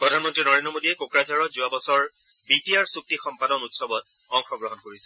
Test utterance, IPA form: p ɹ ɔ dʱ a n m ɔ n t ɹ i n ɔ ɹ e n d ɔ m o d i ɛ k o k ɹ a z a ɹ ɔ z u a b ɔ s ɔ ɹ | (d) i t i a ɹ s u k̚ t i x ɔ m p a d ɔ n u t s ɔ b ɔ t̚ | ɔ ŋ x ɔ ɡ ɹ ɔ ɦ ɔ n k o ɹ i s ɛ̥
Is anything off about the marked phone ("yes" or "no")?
yes